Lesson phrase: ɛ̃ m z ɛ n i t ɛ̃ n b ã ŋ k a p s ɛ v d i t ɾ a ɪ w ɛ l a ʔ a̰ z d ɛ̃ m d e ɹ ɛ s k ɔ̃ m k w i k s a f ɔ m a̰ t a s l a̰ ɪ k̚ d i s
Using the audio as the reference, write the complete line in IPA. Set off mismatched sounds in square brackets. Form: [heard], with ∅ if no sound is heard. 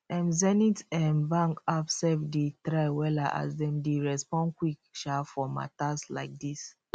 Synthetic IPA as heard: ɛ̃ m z ɛ n i t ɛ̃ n b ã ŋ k a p s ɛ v d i t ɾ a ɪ w ɛ l a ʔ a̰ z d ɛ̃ m d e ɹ ɛ s [p] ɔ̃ [n] k w i k [ʃ] a f ɔ m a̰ t a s l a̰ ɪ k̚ d i s